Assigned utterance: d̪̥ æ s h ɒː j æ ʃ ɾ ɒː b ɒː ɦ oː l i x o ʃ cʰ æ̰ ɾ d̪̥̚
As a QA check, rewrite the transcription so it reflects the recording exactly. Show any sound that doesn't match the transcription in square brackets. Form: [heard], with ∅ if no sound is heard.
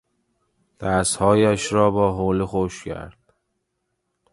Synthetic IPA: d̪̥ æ s h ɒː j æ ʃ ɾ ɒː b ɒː ɦ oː l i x o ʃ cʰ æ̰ ɾ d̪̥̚

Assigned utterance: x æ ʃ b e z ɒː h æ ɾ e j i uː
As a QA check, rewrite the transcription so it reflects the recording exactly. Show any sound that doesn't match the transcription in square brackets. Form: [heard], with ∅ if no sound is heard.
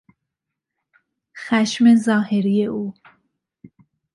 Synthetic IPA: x æ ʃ [m] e z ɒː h [e] ɾ [i] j [e] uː

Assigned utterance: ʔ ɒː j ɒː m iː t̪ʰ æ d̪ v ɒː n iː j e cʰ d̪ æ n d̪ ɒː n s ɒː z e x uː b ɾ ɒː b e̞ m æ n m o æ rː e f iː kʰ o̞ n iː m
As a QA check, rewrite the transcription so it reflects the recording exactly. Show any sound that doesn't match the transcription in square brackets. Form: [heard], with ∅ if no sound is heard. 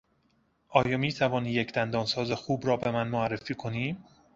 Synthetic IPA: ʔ ɒː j ɒː m iː t̪ʰ æ [∅] v ɒː n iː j e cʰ d̪ æ n d̪ ɒː n s ɒː z e x uː b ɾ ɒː b e̞ m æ n m o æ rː e f iː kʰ o̞ n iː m

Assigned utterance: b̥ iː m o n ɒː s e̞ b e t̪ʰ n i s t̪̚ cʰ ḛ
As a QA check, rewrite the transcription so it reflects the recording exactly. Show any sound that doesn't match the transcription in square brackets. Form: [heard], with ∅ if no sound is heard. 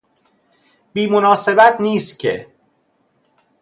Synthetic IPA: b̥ iː m o n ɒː s e̞ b [æ] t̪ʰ n [iː] s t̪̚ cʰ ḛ

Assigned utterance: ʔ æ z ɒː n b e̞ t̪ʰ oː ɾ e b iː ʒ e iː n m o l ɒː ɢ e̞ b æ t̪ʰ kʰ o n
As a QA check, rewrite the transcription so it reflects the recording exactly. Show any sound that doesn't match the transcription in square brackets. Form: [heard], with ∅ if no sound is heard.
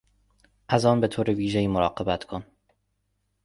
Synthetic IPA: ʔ æ z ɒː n b e̞ t̪ʰ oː ɾ e [v] iː ʒ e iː [∅] m o [ɾ] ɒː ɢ e̞ b æ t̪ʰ kʰ o n

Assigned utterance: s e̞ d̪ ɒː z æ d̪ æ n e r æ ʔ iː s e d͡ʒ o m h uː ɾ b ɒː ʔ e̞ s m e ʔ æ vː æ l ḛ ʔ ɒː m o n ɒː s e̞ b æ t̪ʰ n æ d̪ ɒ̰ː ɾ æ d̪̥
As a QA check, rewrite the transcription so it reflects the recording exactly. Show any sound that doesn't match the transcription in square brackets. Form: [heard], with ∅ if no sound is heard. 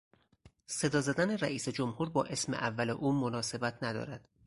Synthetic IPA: s e̞ d̪ ɒː z æ d̪ æ n e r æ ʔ iː s e d͡ʒ o m h uː ɾ b ɒː ʔ e̞ s m e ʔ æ vː æ l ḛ ʔ [uː] m o n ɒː s e̞ b æ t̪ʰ n æ d̪ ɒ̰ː ɾ æ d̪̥

